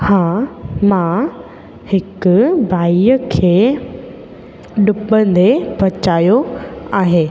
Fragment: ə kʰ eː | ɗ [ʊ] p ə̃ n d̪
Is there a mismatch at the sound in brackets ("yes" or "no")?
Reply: no